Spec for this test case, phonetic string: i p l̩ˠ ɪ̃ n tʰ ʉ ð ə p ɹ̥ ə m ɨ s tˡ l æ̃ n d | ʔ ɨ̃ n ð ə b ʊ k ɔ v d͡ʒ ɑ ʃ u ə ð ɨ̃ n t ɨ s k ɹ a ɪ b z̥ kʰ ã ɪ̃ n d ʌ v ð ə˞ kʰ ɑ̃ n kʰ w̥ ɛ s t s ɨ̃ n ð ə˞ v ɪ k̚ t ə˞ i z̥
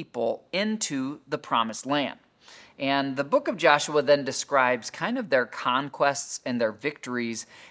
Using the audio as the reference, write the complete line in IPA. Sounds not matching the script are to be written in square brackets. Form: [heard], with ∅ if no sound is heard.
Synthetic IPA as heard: i p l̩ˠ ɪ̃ n tʰ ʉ ð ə [pʰ] ɹ̥ [ɑ] m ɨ s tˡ l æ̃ n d | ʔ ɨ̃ n ð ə b ʊ k [ʌ] v d͡ʒ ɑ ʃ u ə ð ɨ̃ n [d] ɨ s k ɹ a ɪ b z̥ kʰ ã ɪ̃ n d ʌ v ð ə˞ kʰ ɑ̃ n kʰ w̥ ɛ s t s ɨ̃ n ð ə˞ v ɪ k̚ t ə˞ i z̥